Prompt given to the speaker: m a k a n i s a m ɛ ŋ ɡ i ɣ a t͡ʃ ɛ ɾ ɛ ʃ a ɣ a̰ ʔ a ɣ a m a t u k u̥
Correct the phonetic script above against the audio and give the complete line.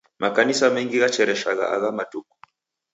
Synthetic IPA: m a k a n i s a m ɛ ŋ ɡ i ɣ a t͡ʃ ɛ ɾ ɛ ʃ a ɣ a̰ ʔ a ɣ a m a t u k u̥